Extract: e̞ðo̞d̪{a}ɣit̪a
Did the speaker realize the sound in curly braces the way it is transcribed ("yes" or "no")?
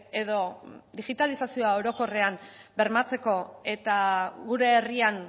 no